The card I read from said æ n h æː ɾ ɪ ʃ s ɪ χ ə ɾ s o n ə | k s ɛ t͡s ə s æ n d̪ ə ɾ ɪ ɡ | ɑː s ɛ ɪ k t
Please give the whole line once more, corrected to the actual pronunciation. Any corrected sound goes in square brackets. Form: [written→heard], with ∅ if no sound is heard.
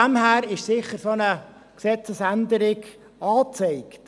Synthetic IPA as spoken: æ [n→m] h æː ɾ ɪ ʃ s ɪ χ ə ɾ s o n ə | k s ɛ t͡s ə s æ n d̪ ə ɾ ɪ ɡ | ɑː [s→t͡s] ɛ ɪ k t